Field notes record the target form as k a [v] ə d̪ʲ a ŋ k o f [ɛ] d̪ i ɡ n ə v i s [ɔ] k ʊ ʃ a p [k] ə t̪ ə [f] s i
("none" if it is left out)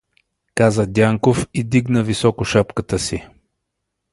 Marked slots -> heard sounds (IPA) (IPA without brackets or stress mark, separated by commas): z, i, ɔ, k, none